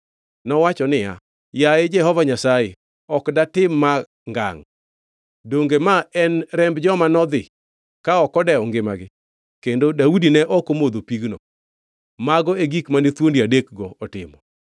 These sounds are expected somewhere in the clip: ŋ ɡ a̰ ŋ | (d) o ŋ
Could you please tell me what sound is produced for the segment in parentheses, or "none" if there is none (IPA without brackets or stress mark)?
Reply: d